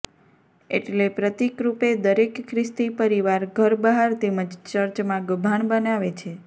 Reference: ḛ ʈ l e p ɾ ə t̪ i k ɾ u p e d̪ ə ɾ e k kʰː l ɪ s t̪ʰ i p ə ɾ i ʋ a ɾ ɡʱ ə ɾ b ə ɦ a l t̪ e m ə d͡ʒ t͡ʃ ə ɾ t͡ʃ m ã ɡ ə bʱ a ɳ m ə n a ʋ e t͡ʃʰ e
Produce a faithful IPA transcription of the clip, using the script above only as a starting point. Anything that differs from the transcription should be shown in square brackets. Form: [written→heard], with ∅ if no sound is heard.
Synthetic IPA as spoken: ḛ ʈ l e p ɾ ə t̪ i k ɾ u p e d̪ ə ɾ e k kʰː [l→ɾ] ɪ s [t̪ʰ→t̪] i p ə ɾ i ʋ a ɾ ɡʱ ə ɾ b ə ɦ a [l→ɾ] t̪ e m ə d͡ʒ t͡ʃ ə ɾ t͡ʃ m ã ɡ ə bʱ a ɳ [m→b] ə n a ʋ e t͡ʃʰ e